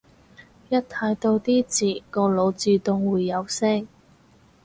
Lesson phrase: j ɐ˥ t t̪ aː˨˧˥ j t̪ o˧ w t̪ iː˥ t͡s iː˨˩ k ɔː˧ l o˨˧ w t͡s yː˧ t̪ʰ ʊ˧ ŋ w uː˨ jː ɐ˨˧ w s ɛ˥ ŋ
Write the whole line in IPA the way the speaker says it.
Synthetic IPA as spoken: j ɐ˥ t t̪ʰ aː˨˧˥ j t̪ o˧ w t̪ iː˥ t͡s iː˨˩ k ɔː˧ l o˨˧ w t͡s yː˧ t̪ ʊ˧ ŋ w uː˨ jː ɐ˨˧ w s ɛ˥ ŋ

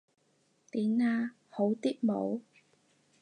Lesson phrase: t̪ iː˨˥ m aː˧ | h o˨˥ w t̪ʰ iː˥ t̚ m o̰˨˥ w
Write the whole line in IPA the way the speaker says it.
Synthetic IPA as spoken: t̪ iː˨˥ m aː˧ | h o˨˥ w t̪ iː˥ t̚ m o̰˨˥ w

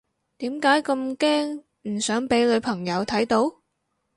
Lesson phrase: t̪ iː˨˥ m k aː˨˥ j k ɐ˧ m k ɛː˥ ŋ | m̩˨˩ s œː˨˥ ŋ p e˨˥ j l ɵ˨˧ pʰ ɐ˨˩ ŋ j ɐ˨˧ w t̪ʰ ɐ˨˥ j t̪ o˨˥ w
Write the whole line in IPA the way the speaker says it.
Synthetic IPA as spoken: t̪ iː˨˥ m k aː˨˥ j k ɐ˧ m k ɛː˥ ŋ | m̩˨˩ s œː˨˥ ŋ p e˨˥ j l ɵ˨˧ pʰ ɐ˨˩ ŋ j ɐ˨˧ w t̪ʰ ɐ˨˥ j t̪ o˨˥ w

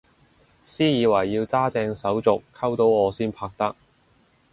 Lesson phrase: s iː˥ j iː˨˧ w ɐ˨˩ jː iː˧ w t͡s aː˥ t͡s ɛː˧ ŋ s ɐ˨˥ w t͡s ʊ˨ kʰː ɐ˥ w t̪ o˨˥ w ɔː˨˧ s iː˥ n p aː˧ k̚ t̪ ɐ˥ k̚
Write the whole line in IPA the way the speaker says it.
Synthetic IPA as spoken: s iː˥ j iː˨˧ w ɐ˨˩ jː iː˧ w t͡s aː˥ t͡s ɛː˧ ŋ s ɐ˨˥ w t͡s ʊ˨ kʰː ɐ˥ w t̪ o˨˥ w ɔː˨˧ s iː˥ n pʰ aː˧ k̚ t̪ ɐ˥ k̚

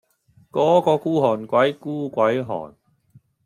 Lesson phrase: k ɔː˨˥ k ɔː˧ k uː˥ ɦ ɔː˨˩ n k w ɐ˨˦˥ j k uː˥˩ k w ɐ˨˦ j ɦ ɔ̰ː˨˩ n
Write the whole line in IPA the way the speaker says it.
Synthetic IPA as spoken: k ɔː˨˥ k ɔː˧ k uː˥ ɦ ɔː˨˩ n k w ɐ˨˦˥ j k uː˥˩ k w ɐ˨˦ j ɦ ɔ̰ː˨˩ n

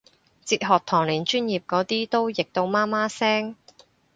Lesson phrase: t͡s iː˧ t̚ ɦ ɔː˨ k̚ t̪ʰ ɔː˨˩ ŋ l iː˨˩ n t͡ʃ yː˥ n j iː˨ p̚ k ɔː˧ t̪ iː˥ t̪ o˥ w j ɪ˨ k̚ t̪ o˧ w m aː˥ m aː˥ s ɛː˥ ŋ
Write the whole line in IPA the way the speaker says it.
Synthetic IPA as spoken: t͡s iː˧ t̚ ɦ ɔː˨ k̚ t̪ʰ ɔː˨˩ ŋ l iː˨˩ n t͡ʃ yː˥ n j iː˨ p̚ k ɔː˨˧˥ t̪ iː˥ t̪ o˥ w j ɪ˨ k̚ t̪ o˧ w m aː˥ m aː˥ s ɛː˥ ŋ

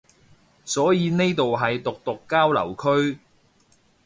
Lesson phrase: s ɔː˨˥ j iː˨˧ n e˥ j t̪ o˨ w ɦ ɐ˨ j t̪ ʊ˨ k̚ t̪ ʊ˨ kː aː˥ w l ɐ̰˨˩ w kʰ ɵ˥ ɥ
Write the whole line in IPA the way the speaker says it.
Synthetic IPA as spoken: s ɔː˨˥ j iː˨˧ n e˥ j t̪ o˨ w ɦ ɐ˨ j t̪ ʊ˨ k̚ t̪ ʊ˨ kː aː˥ w l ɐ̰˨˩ w kʰ ɵ˥ ɥ

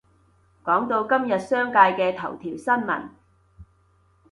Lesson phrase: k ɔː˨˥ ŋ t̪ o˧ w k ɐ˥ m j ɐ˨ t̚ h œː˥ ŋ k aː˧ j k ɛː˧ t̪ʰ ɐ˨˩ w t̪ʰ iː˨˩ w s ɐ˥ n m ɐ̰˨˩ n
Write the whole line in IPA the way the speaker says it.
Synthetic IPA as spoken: k ɔː˨˥ ŋ t̪ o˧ w k ɐ˥ m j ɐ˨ t̚ s œː˥ ŋ k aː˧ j k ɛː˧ t̪ʰ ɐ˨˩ w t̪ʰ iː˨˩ w s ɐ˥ n m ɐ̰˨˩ n

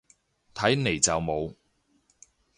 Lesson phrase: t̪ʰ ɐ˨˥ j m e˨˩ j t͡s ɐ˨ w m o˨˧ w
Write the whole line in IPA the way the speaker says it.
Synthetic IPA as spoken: t̪ʰ ɐ˨˥ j n e˨˩ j t͡s ɐ˨ w m o˨˧ w

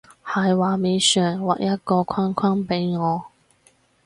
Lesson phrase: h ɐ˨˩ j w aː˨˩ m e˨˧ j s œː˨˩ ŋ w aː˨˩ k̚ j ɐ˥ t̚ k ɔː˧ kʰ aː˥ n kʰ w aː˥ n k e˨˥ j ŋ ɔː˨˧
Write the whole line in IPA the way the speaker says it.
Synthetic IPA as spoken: h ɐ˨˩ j w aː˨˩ m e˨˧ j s œː˨˩ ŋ w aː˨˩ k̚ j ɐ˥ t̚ k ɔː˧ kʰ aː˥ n kʰ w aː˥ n p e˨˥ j ŋ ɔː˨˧

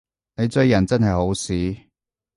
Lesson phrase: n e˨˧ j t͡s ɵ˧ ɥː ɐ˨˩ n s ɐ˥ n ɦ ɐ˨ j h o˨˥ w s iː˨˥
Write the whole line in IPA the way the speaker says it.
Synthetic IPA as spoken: n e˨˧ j t͡s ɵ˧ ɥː ɐ˨˩ n t͡s ɐ˥ n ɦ ɐ˨ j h o˨˥ w s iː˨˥

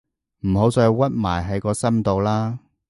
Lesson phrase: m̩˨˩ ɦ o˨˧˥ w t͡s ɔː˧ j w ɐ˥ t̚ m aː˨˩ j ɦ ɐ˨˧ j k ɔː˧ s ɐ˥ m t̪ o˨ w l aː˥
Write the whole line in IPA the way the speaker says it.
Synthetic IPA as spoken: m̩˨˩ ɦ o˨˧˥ w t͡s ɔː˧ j w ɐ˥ t̚ m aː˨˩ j ɦ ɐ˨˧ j k ɔː˧ s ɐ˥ m t̪ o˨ w l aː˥

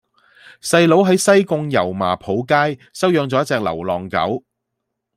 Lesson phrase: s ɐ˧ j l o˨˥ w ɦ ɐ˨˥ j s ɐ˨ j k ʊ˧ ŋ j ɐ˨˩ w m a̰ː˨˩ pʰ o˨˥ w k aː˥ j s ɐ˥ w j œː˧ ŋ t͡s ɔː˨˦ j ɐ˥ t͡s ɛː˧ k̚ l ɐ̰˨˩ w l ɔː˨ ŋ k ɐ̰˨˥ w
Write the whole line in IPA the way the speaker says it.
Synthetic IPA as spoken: s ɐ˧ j l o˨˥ w ɦ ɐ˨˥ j s ɐ˥ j k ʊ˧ ŋ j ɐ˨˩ w m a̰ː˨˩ pʰ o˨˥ w k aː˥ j s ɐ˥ w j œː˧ ŋ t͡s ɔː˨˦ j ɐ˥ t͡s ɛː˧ k̚ l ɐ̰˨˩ w l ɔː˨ ŋ k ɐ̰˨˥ w

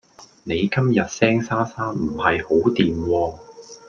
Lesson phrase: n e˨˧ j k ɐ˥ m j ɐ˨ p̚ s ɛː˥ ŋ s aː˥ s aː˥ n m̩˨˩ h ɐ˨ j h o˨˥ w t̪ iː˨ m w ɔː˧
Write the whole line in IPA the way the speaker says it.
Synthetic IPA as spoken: n e˨˧ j k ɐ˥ m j ɐ˨ t̚ s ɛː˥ ŋ s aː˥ s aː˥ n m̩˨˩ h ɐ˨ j h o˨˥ w t̪ iː˨ m w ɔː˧

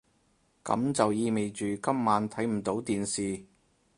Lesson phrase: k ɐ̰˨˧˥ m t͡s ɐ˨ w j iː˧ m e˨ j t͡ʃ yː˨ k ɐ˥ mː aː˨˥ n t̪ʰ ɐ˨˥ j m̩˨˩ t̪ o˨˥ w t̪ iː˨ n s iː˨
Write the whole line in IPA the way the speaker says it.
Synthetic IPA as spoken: k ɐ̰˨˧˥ m t͡s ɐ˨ w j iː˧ m e˨ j t͡ʃ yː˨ k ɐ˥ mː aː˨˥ n t̪ʰ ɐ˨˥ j m̩˨˩ t̪ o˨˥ w t̪ iː˨ n s iː˨

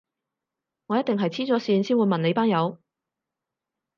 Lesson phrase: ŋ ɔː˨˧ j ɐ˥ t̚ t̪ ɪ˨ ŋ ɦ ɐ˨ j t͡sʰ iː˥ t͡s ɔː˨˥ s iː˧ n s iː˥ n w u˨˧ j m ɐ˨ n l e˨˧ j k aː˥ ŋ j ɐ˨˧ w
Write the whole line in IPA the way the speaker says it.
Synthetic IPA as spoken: ŋ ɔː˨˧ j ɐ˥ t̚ t̪ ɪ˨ ŋ ɦ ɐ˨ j t͡sʰ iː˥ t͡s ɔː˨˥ s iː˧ n s iː˥ n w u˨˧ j m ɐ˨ n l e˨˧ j p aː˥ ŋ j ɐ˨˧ w

